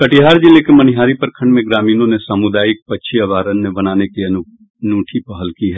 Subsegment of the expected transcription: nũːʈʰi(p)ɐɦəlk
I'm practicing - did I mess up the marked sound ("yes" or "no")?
no